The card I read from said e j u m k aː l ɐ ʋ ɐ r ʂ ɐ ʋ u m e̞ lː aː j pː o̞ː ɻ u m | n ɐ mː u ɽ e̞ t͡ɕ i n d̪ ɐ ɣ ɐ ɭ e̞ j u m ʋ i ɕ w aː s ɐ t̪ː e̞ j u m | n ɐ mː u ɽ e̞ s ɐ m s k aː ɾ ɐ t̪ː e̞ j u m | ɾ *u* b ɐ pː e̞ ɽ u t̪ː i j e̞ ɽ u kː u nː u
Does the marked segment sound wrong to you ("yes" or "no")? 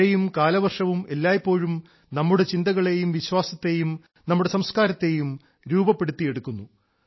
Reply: yes